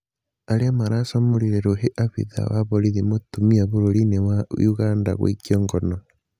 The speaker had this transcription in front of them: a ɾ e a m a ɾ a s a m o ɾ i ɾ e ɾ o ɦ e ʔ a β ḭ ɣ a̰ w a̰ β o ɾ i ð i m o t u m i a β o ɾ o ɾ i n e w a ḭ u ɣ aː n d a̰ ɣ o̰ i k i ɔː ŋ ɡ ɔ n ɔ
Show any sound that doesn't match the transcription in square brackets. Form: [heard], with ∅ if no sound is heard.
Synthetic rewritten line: a ɾ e a m a ɾ a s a m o ɾ i ɾ e ɾ o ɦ e ʔ a β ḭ [ð] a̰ w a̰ β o ɾ i ð i m o t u m i a β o ɾ o ɾ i n e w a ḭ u ɣ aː n d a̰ ɣ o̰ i k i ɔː ŋ ɡ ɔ n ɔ